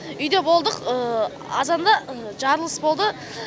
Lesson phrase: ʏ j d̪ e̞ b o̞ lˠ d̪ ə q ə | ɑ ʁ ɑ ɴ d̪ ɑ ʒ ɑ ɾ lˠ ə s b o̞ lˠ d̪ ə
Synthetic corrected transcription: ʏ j d̪ e̞ b o̞ lˠ d̪ ə q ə | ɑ z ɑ n d̪ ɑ ʒ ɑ ɾ lˠ ə s b o̞ lˠ d̪ ə